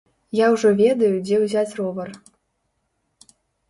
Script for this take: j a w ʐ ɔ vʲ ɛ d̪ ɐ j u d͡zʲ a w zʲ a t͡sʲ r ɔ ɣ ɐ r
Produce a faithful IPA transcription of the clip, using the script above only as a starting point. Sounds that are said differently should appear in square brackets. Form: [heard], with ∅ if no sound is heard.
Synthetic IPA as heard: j a w ʐ ɔ vʲ ɛ d̪ ɐ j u d͡zʲ [ɛ] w zʲ a t͡sʲ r ɔ [v] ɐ r